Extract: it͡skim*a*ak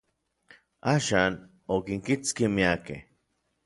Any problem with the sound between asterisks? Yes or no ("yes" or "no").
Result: yes